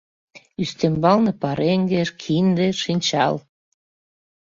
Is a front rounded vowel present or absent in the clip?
present